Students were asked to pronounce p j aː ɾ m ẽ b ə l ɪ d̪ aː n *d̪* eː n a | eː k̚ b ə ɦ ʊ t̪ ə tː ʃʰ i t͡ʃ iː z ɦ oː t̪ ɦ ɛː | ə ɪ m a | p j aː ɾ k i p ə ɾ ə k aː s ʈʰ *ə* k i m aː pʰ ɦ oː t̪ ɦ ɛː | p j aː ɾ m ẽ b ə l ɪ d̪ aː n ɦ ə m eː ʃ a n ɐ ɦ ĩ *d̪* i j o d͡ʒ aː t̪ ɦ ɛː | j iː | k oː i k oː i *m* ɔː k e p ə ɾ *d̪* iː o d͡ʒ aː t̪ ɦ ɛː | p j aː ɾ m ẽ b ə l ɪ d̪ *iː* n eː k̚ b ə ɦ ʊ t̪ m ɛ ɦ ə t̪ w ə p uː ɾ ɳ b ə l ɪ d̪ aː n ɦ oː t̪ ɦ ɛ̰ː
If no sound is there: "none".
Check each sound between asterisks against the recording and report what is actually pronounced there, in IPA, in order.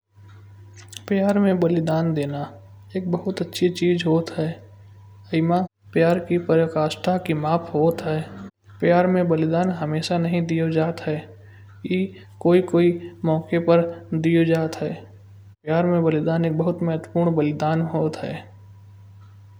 d̪, a, d̪, m, d̪, aː

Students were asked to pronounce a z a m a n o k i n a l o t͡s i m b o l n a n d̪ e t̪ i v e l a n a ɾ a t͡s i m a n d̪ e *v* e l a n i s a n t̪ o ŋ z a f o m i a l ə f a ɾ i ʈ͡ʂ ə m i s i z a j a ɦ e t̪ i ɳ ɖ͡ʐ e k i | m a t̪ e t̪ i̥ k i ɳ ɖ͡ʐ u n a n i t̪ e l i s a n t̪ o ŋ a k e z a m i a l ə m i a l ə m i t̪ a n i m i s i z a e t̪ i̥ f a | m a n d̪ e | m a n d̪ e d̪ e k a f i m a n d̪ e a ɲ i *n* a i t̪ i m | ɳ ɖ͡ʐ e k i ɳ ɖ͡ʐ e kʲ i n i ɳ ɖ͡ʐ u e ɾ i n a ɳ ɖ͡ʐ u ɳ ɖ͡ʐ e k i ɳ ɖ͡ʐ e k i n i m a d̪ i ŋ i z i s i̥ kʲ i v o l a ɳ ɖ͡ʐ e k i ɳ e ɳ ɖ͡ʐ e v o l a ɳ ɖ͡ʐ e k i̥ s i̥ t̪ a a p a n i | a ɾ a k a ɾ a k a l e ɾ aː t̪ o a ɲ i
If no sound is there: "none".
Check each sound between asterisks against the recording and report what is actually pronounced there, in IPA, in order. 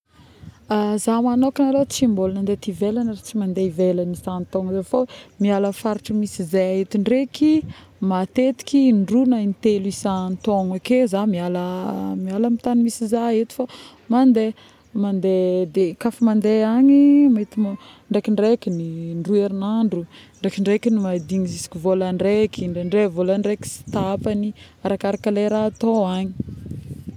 v, m

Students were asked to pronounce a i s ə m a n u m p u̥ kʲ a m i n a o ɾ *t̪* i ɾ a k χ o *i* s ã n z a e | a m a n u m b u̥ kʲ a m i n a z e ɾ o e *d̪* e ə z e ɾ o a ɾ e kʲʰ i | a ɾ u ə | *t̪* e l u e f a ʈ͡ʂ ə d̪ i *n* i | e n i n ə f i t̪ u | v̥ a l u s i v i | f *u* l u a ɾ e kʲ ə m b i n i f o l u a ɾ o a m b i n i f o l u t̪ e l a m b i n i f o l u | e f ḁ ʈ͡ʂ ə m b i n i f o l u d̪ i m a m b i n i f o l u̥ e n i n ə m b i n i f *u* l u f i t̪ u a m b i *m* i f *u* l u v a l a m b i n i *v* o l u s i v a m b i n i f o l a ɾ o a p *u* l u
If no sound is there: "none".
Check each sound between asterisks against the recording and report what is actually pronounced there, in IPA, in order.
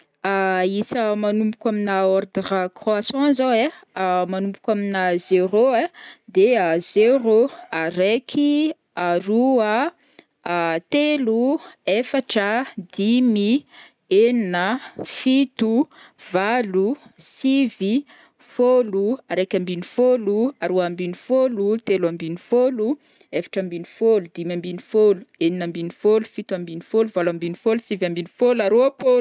d̪, a, d̪, t̪, m, o, o, n, o, f, o

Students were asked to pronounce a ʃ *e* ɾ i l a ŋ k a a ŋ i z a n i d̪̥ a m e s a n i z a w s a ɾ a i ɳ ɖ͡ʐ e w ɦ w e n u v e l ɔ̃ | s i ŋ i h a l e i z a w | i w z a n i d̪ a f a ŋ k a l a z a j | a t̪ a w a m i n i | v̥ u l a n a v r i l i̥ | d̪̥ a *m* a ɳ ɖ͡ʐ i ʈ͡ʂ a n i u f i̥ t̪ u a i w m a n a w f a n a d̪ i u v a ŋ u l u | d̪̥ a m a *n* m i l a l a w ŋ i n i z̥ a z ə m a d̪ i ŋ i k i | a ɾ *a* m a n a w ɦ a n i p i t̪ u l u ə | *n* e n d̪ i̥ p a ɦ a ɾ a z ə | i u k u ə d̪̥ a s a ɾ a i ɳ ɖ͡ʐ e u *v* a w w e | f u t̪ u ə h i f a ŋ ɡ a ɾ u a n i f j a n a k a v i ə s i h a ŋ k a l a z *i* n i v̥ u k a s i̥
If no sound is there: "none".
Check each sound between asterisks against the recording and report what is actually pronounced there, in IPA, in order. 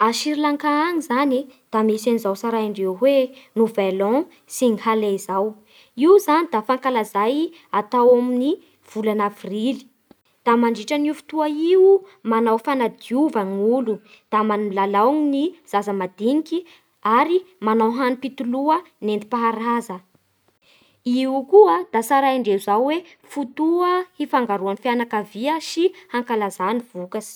i, m, n, i, n, z, a

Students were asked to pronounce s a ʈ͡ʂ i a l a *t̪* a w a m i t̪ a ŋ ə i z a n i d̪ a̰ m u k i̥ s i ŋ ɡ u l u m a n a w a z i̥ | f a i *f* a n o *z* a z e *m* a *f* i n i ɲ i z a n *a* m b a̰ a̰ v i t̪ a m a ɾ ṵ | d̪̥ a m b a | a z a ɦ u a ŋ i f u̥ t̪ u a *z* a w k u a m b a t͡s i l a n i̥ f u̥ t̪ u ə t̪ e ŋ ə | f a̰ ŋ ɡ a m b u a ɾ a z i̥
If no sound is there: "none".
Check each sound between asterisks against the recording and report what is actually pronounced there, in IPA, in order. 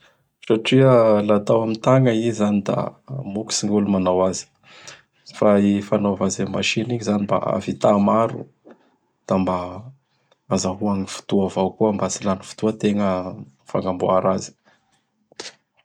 t̪, f, v, m, ʃ, i, v

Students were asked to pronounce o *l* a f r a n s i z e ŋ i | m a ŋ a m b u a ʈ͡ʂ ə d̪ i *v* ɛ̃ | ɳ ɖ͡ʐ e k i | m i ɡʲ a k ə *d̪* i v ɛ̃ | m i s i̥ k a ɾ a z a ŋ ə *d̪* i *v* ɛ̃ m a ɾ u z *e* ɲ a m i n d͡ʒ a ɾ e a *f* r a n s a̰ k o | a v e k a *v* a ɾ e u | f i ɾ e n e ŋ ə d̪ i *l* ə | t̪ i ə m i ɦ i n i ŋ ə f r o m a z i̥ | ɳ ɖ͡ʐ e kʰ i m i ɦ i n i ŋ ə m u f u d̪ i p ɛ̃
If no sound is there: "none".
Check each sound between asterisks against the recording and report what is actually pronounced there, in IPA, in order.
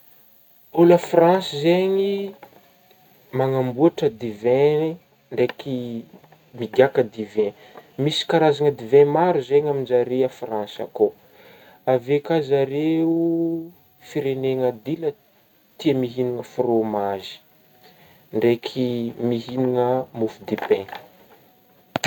l, v, d̪, d̪, v, e, f, z, l

